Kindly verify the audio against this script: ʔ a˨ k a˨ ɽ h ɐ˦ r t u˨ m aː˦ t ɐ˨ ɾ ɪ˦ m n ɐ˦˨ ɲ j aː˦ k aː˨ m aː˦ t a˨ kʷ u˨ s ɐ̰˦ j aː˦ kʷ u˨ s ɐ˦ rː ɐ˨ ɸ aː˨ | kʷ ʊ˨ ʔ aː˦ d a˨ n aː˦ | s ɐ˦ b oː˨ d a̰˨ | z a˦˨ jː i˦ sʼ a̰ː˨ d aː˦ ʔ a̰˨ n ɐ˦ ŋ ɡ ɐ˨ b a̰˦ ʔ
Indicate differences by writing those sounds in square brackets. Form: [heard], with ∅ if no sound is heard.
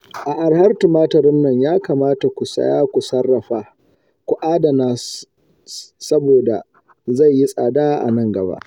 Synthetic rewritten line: ʔ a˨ [ʔ] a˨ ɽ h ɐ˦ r t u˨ m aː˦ t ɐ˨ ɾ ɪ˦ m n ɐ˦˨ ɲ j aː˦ k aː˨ m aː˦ t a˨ kʷ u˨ s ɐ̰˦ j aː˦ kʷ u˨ s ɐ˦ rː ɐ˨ ɸ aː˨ | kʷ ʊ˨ ʔ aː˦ d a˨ n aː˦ | s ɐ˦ b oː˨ d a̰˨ | z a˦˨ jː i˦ sʼ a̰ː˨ d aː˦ ʔ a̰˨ n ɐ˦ ŋ ɡ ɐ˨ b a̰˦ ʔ